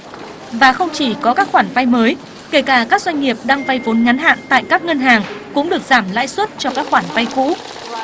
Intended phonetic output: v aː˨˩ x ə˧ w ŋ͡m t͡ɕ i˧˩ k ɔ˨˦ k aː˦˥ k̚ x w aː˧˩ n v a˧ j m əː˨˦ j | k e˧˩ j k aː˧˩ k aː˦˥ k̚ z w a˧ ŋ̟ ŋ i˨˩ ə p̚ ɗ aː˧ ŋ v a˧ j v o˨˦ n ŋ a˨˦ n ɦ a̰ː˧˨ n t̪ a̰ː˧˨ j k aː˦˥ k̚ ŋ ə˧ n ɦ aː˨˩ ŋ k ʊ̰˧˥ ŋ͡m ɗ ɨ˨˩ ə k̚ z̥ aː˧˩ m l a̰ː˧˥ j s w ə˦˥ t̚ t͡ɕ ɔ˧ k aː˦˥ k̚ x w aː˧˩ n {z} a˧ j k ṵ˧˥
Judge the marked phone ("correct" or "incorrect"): incorrect